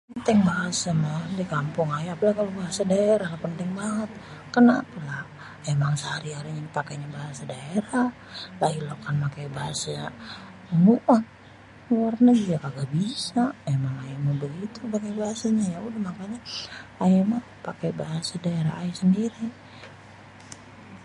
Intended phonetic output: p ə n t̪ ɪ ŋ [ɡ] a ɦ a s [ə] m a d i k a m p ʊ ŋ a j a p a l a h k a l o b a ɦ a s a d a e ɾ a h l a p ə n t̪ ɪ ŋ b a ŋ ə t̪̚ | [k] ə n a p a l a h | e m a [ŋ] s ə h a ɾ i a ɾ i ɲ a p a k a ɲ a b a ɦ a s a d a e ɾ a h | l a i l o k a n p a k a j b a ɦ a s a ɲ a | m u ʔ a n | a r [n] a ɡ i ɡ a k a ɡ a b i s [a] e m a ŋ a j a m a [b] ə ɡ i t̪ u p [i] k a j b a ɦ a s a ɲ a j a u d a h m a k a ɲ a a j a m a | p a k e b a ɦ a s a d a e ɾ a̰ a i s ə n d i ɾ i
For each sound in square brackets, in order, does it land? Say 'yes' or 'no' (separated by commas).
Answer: no, no, yes, yes, yes, yes, yes, no